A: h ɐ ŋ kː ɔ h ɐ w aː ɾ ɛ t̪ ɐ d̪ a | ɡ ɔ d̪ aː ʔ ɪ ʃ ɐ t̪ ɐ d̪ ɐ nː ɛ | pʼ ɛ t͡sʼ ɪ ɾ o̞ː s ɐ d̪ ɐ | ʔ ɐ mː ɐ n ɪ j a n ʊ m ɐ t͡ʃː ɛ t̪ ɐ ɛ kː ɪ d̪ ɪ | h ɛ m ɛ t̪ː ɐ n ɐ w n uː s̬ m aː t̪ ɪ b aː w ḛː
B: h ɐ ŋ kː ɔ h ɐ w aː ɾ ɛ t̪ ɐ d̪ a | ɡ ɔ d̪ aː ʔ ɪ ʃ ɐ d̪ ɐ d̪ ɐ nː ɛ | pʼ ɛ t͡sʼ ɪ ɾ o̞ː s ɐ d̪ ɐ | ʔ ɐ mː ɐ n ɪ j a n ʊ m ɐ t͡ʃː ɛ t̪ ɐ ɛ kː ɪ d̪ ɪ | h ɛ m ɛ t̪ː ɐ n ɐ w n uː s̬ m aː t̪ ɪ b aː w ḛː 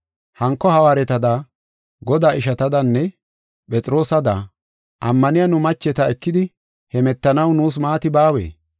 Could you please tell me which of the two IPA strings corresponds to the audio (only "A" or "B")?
A